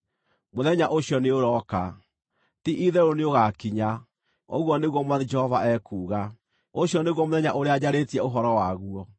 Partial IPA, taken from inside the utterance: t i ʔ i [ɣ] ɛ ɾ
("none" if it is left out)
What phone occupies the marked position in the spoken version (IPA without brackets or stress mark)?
ð